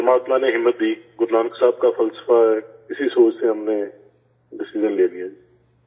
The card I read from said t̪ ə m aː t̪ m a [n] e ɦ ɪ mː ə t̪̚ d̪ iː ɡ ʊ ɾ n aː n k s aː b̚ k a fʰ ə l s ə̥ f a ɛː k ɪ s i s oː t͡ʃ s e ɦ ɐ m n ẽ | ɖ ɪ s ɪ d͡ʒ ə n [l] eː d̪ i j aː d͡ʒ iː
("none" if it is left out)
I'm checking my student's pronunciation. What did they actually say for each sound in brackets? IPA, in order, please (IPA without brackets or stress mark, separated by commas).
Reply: n, l